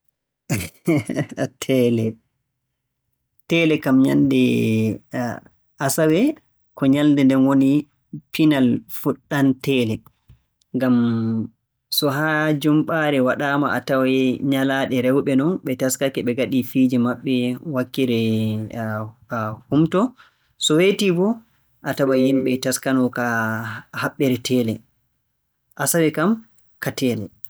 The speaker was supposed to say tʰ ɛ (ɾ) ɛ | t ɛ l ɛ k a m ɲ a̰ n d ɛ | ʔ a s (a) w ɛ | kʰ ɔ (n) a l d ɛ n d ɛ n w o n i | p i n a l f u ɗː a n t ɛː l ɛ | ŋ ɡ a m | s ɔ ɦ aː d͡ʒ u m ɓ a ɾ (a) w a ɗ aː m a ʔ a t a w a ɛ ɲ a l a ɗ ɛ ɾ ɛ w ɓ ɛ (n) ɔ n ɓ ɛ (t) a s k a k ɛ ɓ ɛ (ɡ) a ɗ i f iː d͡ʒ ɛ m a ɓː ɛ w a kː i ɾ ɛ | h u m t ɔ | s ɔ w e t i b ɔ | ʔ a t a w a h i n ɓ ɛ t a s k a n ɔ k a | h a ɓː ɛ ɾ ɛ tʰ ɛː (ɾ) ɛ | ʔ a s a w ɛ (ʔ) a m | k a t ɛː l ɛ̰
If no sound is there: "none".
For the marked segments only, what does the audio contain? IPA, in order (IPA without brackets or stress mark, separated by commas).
l, a, ɲ, ɛ, n, t, ɡ, l, k